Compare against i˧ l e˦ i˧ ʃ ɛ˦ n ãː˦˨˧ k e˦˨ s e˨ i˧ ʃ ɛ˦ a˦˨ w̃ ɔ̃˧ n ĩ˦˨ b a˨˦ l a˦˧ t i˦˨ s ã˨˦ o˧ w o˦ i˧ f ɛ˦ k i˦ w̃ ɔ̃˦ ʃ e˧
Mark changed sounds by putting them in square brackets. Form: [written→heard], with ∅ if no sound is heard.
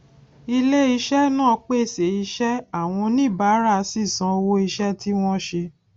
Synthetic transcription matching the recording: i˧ l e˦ i˧ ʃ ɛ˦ n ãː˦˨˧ [k→k͡p] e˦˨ s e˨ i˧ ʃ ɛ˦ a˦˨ w̃ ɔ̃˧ n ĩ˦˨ b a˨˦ [l→ɾ] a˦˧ [t→s] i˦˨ s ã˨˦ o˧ w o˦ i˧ [f→ʃ] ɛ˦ [k→t] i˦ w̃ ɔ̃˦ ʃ e˧